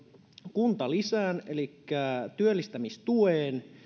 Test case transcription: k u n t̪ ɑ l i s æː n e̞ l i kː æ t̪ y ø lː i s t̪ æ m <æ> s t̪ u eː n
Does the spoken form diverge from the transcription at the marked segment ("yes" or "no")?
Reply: yes